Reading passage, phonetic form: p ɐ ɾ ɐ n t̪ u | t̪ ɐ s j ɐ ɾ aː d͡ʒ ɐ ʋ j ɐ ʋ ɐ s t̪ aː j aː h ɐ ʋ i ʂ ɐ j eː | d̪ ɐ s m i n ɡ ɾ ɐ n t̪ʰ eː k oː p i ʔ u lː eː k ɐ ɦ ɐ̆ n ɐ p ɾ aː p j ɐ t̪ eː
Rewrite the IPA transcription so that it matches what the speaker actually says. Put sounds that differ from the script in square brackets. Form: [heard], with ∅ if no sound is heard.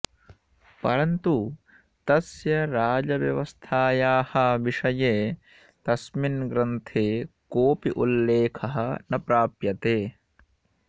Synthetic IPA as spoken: p ɐ ɾ ɐ n t̪ u | t̪ ɐ s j ɐ ɾ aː d͡ʒ ɐ ʋ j ɐ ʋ ɐ s [t̪ʰ] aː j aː h ɐ ʋ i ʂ ɐ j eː | [t̪] ɐ s m i n ɡ ɾ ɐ n t̪ʰ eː k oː p i ʔ u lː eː [kʰ] ɐ ɦ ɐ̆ n ɐ p ɾ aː p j ɐ t̪ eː